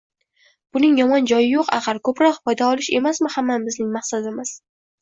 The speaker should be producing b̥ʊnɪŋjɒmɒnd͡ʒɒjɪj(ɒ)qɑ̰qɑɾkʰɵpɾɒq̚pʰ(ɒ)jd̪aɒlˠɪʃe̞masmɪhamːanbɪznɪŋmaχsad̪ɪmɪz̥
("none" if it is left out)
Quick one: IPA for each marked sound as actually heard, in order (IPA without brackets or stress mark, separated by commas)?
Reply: o, ɒ